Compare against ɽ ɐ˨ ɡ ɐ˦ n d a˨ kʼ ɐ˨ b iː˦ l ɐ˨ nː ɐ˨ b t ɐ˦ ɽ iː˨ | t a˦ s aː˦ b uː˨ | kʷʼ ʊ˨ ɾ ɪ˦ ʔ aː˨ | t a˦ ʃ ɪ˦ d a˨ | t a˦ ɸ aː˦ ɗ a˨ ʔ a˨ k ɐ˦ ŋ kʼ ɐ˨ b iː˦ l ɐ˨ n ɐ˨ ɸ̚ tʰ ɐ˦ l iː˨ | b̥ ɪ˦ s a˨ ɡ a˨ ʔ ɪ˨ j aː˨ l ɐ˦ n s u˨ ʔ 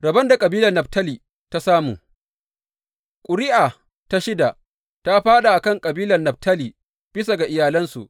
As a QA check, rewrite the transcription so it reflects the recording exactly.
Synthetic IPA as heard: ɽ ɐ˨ b ɐ˦ n d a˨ kʼ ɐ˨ b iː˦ l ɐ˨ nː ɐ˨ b t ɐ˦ l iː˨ | t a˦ s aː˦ m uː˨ | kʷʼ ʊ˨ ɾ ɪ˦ ʔ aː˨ | t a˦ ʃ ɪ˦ d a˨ | t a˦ ɸ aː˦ ɗ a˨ ʔ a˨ k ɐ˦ ŋ kʼ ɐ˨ b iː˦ l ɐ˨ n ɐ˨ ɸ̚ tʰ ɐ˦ l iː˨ | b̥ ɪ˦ s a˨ ɡ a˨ ʔ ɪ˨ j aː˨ l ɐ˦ n s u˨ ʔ